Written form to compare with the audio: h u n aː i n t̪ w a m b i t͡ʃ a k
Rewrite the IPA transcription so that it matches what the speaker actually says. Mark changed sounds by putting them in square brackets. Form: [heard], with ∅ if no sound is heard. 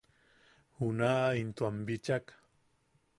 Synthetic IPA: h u n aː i n t̪ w a m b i t͡ʃ a k